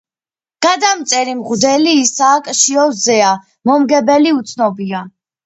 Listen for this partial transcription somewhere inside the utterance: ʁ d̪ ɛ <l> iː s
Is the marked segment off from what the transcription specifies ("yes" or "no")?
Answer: no